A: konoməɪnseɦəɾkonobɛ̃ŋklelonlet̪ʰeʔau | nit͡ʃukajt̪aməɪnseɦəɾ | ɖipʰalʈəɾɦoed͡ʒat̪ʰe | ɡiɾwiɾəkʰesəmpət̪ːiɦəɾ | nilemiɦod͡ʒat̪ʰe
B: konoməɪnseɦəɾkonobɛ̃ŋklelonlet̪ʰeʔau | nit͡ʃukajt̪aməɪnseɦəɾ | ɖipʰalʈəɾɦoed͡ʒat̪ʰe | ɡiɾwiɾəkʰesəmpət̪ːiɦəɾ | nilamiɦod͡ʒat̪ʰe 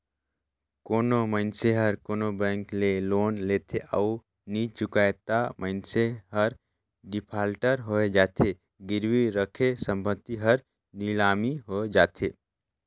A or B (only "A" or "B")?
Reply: B